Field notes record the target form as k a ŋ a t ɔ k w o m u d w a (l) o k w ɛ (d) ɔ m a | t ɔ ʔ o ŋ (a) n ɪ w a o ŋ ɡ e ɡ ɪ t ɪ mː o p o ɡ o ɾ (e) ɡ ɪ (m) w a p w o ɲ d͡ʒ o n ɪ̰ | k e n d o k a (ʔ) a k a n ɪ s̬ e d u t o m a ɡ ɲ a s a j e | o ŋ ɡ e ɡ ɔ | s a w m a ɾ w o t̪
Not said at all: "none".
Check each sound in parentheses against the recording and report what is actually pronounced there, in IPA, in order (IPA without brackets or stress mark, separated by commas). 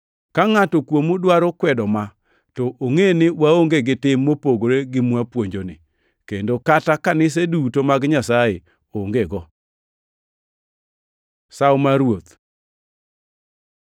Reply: ɾ, d, e, e, m, t